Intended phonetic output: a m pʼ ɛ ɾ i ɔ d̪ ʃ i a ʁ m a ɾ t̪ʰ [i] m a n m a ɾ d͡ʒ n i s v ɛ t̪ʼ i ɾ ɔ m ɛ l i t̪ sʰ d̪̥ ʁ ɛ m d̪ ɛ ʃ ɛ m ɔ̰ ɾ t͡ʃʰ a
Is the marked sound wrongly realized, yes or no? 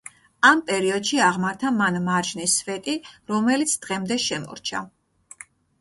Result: yes